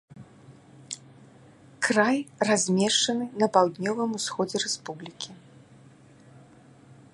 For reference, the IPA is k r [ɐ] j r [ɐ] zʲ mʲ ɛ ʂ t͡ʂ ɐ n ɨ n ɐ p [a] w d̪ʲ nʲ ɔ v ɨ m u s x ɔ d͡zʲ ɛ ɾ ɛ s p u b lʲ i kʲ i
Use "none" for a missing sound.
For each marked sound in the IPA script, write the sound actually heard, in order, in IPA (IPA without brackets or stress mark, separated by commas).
a, a, a